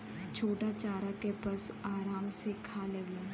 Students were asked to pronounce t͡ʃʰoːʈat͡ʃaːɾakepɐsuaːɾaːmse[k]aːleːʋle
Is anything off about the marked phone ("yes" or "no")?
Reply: yes